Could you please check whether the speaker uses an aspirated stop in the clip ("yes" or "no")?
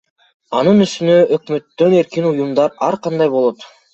no